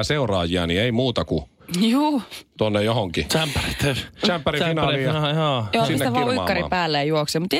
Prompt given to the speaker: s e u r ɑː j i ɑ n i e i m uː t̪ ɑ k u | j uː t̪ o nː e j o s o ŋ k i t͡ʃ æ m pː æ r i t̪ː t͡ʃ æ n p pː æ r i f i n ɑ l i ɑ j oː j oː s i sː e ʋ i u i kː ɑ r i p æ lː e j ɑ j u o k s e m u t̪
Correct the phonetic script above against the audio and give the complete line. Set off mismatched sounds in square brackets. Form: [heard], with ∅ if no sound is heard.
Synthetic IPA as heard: s e u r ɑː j i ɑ n i e i m uː t̪ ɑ k u | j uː t̪ o nː e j o [h] o ŋ k i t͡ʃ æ m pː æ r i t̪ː t͡ʃ æ [m] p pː æ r i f i n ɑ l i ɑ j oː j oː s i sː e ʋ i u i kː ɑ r i p [æː] lː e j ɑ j u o k s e m u t̪